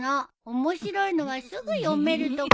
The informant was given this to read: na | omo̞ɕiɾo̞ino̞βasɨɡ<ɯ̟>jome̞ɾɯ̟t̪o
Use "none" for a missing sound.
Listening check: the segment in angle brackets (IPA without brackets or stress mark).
ɯ̟